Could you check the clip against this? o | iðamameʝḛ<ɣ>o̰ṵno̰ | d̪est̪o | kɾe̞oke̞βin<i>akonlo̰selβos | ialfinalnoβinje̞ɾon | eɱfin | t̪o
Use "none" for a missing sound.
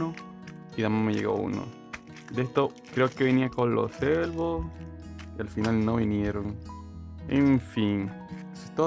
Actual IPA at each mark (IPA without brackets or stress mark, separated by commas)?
ɣ, i